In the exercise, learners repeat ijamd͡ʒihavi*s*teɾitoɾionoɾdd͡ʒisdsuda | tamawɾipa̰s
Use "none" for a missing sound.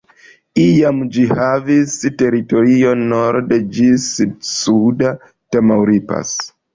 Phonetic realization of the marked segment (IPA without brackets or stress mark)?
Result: s